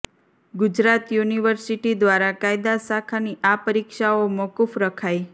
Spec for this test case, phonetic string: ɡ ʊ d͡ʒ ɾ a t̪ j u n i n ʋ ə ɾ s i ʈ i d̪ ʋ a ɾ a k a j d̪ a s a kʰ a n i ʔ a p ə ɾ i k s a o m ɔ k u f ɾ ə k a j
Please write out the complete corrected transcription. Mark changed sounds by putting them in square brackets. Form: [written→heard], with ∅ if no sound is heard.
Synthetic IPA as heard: ɡ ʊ d͡ʒ ɾ a t̪ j u n i [n→∅] ʋ ə ɾ s i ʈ i d̪ ʋ a ɾ a k a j d̪ a s a kʰ a n i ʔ a p ə ɾ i k [s→ʃ] a o m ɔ k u f ɾ ə [k→kʰ] a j